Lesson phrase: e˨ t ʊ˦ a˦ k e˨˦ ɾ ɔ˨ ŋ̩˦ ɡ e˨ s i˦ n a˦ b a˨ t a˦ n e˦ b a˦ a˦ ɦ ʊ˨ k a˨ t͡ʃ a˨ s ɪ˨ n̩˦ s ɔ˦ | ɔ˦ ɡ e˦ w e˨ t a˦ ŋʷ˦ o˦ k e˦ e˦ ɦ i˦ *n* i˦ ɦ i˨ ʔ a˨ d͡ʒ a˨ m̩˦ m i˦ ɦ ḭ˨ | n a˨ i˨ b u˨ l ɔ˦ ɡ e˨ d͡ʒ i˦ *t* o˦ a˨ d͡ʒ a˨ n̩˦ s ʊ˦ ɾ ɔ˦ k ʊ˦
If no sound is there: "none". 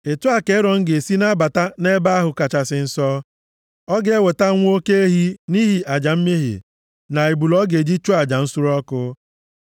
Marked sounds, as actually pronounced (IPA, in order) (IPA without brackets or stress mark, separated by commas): n, t͡ʃ